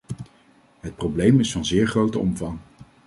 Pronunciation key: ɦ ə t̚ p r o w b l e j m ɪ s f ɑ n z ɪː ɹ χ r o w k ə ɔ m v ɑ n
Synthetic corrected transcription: ɦ ə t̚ p r o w b l e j m ɪ s f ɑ n z ɪː ɹ χ r o w t ə ɔ m v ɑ ŋ